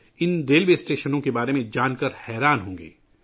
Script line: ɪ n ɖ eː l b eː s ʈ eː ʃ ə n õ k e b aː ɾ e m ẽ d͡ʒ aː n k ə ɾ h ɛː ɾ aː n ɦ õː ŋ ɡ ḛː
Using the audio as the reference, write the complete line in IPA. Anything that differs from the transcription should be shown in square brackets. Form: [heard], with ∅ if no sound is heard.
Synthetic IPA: ɪ n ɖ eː l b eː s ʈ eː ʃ ə n õ k e b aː ɾ e m ẽ d͡ʒ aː n k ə ɾ h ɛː ɾ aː n ɦ õː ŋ ɡ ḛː